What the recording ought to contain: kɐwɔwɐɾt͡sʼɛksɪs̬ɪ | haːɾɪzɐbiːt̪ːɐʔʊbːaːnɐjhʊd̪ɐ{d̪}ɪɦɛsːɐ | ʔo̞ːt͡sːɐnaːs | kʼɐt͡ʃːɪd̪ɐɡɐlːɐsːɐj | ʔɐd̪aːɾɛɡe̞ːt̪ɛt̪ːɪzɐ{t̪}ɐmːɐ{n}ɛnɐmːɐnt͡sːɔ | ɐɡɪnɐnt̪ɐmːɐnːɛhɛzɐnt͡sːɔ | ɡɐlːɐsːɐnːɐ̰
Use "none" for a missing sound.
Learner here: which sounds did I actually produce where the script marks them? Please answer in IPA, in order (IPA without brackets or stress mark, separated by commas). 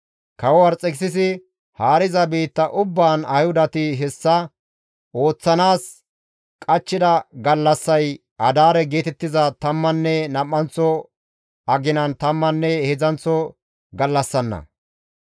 t̪, t̪, nː